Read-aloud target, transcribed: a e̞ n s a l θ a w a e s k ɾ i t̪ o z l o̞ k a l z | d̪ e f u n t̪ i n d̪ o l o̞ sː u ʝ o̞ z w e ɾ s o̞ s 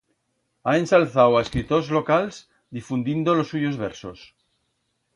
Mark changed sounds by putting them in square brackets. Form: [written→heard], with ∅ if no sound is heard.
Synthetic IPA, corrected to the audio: a e̞ n s a l θ a w a e s k ɾ i t̪ o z l o̞ k a l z | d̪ [e→i] f u n [t̪→d̪] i n d̪ o l o̞ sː u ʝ o̞ z [w→β] e ɾ s o̞ s